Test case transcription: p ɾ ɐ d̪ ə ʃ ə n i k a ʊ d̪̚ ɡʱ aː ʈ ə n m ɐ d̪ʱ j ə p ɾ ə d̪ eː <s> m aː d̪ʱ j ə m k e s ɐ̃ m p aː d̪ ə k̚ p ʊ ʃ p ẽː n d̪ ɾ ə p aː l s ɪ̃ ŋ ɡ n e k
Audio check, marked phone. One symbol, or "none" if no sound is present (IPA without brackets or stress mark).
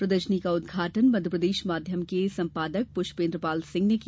ʃ